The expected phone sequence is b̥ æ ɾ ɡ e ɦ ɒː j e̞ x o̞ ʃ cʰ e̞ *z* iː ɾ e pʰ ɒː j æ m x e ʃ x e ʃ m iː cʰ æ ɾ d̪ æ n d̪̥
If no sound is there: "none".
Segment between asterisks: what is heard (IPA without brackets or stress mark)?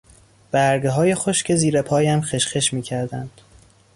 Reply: z